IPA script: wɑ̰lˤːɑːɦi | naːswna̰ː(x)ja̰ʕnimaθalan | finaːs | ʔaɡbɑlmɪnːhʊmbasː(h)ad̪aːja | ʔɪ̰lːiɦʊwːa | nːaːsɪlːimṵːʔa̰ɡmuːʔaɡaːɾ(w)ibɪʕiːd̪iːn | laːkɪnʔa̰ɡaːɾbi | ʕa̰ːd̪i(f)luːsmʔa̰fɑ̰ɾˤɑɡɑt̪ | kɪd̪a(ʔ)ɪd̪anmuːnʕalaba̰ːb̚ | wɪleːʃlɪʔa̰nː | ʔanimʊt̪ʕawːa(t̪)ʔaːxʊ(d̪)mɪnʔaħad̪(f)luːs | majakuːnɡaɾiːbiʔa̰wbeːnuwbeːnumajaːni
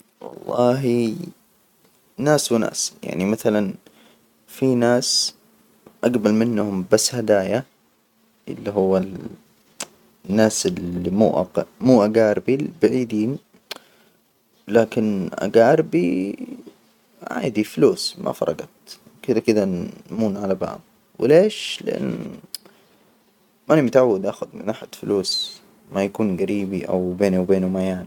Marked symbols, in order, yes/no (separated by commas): no, yes, no, yes, no, no, yes, yes